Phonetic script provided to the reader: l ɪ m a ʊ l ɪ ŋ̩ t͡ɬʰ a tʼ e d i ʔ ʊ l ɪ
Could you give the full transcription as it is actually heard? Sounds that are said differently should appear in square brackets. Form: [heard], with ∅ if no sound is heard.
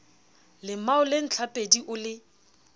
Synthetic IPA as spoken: l ɪ m a ʊ l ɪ [n̩] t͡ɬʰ a [pʼ] e d i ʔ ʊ l ɪ